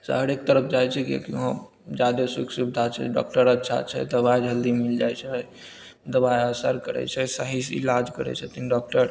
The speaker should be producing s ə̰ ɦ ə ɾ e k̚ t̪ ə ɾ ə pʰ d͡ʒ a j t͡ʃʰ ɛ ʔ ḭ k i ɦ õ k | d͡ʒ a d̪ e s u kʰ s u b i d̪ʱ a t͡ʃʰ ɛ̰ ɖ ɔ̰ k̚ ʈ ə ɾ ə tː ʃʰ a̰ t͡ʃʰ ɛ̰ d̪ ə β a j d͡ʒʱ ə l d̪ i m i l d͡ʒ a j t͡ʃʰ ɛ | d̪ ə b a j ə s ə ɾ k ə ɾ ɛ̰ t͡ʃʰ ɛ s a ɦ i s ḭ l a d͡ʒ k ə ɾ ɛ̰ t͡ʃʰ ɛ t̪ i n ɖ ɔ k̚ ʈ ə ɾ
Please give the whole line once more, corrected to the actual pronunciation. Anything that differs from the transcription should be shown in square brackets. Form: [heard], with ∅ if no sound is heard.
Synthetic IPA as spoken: s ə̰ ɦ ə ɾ e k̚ t̪ ə ɾ ə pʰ d͡ʒ a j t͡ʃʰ ɛ [k] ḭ k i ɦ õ [∅] | d͡ʒ a d̪ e s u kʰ s u b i d̪ʱ a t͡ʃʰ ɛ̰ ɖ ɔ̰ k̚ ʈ ə ɾ ə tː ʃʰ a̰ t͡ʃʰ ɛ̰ d̪ ə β a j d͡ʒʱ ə l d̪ i m i l d͡ʒ a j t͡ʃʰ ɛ | d̪ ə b a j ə s ə ɾ k ə ɾ ɛ̰ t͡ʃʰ ɛ s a ɦ i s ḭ l a d͡ʒ k ə ɾ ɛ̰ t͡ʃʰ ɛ t̪ i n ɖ ɔ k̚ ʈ ə ɾ